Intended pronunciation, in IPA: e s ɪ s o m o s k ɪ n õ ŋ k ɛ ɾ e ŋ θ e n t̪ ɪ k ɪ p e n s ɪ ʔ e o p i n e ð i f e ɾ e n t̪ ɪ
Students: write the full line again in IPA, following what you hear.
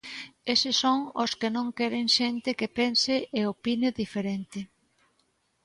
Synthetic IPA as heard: e s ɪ s o ŋ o s k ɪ n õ ŋ k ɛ ɾ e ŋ ʃ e n t̪ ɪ k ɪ p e n s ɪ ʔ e o p i n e ð i f e ɾ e n t̪ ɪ

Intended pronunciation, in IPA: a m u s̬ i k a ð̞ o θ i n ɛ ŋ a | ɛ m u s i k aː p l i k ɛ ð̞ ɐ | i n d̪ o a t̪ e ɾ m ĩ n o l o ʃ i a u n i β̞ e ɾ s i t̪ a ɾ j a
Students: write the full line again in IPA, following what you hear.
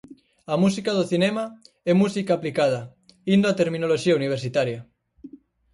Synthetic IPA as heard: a m u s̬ i k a ð̞ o θ i n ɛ m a | ɛ m u s i k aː p l i k a ð̞ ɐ | i n d̪ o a t̪ e ɾ m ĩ n o l o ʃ i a u n i β̞ e ɾ s i t̪ a ɾ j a

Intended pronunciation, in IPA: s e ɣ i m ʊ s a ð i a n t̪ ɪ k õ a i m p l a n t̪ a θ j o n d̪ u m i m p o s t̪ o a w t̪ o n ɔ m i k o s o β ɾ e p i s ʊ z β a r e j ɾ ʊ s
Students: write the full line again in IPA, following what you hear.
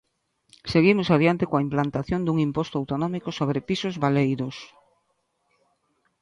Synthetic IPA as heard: s e ɣ i m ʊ s a ð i a n t̪ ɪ k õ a i m p l a n t̪ a θ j o n d̪ u ŋ i m p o s t̪ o a w t̪ o n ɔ m i k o s o β ɾ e p i s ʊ z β a l e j ɾ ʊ s

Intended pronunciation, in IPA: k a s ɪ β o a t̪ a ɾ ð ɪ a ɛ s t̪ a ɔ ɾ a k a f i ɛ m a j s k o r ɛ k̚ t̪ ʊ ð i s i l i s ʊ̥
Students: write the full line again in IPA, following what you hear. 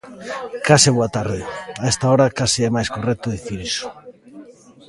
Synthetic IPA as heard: k a s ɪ β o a t̪ a ɾ ð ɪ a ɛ s t̪ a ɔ ɾ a k a s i ɛ m a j s k o r ɛ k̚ t̪ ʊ ð i θ i ɾ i s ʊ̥

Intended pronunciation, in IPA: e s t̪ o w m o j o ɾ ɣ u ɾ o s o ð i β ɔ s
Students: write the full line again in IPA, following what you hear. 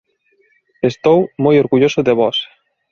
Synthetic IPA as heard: e s t̪ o w m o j o ɾ ɣ u ʎ o s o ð e β ɔ s

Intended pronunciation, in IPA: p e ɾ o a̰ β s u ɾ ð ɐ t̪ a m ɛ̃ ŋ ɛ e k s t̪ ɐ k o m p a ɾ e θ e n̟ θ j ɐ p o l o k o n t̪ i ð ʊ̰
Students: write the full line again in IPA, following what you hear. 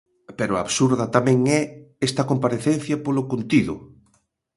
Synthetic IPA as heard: p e ɾ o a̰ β s u ɾ ð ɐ t̪ a m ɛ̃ ŋ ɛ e s t̪ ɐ k o m p a ɾ e θ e n̟ θ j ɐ p o l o k o n t̪ i ð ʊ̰

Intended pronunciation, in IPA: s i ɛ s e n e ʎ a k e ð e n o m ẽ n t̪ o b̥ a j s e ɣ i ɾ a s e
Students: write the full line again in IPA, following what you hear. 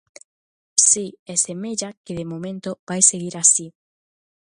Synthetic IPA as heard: s i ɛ s e m e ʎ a k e ð e m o m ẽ n t̪ o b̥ a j s e ɣ i ɾ a s i

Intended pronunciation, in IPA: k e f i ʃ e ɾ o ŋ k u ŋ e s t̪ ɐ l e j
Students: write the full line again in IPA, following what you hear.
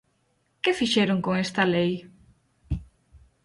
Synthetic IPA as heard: k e f i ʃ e ɾ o ŋ k o ŋ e s t̪ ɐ l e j

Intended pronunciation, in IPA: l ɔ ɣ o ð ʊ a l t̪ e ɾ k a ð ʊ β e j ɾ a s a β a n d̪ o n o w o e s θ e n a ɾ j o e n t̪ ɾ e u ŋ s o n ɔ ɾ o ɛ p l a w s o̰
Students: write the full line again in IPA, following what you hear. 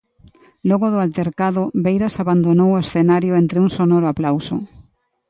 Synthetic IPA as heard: l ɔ ɣ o ð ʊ a l t̪ e ɾ k a ð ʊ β e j ɾ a s a β a n d̪ o n o w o e s θ e n a ɾ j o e n t̪ ɾ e u ŋ s o n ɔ ɾ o a p l a w s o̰

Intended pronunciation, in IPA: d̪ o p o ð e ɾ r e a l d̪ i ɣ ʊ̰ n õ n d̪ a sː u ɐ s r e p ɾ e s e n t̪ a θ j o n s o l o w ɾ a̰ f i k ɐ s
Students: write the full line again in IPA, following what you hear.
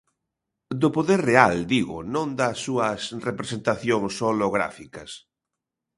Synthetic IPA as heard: d̪ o p o ð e ɾ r e a l d̪ i ɣ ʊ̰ n õ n d̪ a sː u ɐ s r e p ɾ e s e n t̪ a θ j o ŋ s o l o ɣ ɾ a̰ f i k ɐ s

